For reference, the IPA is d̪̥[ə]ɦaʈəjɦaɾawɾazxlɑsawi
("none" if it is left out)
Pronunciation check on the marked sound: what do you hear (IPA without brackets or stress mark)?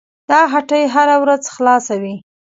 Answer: ɑ